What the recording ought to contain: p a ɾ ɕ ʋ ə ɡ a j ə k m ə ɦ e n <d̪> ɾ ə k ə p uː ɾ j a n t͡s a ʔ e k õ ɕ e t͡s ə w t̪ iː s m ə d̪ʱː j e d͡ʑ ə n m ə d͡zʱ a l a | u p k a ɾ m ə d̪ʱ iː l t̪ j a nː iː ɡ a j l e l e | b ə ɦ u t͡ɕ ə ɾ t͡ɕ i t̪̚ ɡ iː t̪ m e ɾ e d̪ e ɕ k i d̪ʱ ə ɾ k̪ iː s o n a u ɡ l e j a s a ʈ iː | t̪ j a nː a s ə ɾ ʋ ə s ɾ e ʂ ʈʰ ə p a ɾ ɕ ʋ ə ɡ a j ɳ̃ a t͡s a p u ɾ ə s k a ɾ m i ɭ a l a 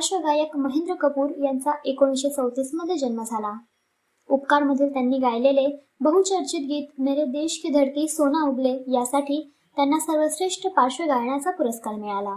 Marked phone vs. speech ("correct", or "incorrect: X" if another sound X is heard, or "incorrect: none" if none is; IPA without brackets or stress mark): correct